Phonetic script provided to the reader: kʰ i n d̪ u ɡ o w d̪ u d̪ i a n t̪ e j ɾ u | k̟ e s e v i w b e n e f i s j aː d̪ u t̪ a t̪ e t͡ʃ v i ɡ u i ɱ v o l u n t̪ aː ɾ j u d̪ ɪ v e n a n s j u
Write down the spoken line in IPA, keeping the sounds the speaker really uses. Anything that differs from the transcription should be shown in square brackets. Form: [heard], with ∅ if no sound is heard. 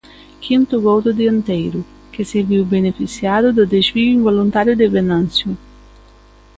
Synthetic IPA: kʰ i n [t̪] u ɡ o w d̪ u d̪ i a n t̪ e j ɾ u | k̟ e s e v i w b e n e f i s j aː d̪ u [d̪] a [d̪] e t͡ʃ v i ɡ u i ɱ v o l u n t̪ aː ɾ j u d̪ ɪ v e n a n s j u

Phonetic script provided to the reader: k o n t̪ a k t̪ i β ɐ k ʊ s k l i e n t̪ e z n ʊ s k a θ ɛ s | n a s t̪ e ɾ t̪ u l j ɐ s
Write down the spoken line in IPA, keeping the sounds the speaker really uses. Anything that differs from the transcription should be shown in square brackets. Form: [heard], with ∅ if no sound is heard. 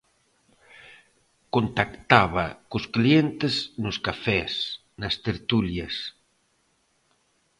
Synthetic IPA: k o n t̪ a k t̪ [a] β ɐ k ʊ s k l i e n t̪ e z n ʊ s k a [f] ɛ s | n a s t̪ e ɾ t̪ u l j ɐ s

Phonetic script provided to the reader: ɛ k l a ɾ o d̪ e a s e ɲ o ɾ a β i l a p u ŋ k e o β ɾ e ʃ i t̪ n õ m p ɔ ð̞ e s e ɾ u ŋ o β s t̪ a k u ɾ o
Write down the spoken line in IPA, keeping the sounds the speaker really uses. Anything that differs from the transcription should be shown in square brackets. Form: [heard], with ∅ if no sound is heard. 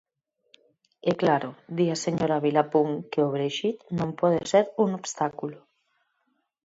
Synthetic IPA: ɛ k l a ɾ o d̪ [i] a s e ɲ o ɾ a β i l a p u ŋ k e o β ɾ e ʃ i t̪ n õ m p ɔ ð̞ e s e ɾ u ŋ o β s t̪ a k u [l] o

